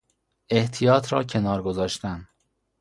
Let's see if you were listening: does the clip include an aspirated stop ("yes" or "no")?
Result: yes